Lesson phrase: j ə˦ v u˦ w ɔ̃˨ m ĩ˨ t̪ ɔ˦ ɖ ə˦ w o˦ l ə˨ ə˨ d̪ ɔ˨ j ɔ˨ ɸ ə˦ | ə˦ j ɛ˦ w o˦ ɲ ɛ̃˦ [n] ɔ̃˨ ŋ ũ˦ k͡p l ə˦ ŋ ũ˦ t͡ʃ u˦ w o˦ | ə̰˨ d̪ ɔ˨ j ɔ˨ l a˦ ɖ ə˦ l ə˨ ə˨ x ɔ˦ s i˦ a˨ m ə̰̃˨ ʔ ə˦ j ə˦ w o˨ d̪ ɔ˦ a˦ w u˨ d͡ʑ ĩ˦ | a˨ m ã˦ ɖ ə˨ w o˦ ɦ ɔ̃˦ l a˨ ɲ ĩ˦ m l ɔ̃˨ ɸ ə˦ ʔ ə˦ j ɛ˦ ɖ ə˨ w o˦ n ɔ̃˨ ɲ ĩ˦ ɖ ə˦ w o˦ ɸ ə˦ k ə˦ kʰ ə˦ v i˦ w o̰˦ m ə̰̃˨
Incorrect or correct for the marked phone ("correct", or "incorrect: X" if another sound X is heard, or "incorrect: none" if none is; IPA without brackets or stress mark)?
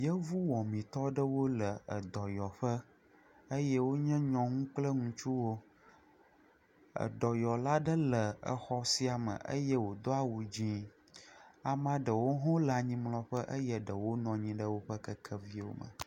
incorrect: ɲ